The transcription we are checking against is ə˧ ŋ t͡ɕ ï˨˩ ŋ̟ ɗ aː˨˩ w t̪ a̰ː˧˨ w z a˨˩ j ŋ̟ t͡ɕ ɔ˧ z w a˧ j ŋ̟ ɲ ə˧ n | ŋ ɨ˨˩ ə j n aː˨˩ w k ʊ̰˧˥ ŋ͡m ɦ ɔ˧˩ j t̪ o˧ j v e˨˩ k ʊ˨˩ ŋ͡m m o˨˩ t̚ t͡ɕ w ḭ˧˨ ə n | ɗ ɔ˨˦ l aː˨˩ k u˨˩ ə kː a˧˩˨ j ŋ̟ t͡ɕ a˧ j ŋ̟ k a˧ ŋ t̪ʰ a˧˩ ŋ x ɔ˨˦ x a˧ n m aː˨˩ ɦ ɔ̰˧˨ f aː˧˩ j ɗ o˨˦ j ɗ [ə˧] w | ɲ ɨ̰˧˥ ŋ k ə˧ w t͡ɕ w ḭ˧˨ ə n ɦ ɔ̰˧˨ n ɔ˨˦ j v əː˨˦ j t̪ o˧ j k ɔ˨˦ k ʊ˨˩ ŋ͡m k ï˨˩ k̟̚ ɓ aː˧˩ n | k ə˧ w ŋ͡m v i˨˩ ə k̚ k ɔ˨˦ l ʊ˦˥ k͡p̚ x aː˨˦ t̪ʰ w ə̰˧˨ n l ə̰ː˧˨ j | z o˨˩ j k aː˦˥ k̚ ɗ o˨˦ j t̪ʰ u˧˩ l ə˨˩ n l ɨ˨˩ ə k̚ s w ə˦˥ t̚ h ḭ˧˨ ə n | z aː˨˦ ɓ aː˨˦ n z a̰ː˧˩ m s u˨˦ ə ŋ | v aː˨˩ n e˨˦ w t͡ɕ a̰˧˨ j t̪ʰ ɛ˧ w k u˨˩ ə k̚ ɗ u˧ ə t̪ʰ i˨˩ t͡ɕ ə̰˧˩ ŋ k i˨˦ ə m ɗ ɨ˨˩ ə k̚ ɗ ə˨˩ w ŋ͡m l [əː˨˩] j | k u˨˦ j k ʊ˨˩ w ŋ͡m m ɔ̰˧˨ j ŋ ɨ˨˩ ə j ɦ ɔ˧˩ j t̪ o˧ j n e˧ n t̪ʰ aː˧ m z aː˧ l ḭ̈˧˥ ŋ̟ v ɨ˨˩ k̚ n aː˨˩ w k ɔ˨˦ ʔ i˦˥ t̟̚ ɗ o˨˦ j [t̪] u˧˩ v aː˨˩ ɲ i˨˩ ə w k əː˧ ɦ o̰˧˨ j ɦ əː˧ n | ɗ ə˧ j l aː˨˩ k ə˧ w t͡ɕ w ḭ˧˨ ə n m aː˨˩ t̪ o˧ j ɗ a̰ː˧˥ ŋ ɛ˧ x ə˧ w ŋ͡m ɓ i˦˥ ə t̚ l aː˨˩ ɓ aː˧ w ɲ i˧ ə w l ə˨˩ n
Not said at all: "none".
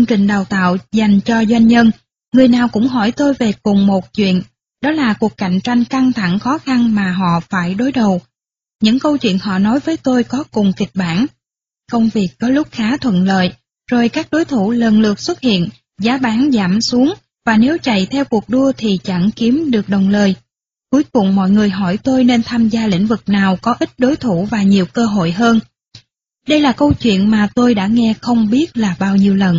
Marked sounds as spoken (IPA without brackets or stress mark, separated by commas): ə˨˩, əː˨˩, t̪ʰ